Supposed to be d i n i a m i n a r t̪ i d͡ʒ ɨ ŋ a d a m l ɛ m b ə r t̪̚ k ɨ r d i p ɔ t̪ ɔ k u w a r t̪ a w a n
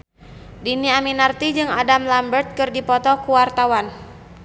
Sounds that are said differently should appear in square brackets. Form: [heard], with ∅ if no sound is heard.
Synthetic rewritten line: d i n i a m i n a r t̪ i d͡ʒ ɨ ŋ a d a m l [a] m b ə r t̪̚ k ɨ r d i p ɔ t̪ ɔ k u w a r t̪ a w a n